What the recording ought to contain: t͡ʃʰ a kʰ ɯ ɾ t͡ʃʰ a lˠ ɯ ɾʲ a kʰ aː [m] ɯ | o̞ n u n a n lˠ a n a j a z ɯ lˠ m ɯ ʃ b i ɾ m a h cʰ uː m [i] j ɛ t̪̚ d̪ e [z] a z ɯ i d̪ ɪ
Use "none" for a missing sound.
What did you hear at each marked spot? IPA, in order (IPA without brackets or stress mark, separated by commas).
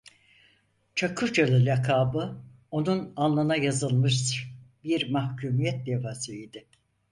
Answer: b, i, v